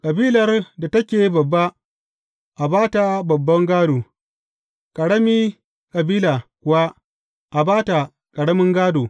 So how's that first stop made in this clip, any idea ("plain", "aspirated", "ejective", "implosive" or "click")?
ejective